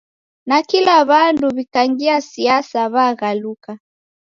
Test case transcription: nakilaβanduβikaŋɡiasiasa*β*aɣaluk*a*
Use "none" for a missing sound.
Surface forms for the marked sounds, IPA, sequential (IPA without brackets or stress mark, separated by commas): β, a